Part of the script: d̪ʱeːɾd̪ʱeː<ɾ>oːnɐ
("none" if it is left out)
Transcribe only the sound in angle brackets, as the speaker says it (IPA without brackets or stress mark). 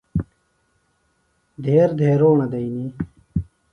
ɾ